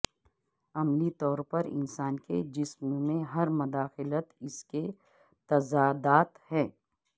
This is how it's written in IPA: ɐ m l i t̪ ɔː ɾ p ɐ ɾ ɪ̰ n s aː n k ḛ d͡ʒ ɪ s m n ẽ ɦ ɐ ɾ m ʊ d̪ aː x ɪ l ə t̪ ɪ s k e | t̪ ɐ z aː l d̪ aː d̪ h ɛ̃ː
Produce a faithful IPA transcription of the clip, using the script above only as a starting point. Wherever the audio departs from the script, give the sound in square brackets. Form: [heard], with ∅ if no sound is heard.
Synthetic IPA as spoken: ɐ m l i t̪ ɔː ɾ p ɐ ɾ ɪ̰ n s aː n k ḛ d͡ʒ ɪ s m [m] ẽ ɦ ɐ ɾ m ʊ d̪ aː x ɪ l ə t̪ ɪ s k e | t̪ ɐ z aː [∅] d̪ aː [t̪] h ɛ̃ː